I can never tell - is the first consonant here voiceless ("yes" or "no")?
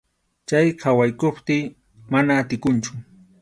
yes